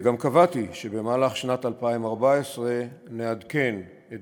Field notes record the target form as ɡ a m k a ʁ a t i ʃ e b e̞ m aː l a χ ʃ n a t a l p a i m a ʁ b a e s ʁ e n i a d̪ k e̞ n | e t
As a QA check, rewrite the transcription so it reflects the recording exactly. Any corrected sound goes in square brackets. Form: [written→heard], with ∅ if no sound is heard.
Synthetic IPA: ɡ a m k a [ʁ→v] a t i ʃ e b e̞ m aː l a χ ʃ n a t a l p a i m a ʁ b a e s ʁ e n [i→e] a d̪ k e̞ n | e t